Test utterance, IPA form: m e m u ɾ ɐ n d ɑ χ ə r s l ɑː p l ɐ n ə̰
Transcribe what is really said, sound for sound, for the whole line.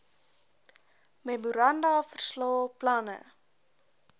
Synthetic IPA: m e m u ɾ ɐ n d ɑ f ə r s l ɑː p l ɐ n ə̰